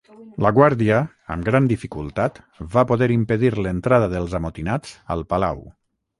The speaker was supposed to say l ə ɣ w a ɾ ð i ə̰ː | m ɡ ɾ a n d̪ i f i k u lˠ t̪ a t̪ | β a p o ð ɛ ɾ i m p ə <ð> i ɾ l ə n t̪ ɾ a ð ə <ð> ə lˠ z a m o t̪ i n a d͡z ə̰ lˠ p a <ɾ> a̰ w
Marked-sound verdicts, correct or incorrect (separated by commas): correct, correct, incorrect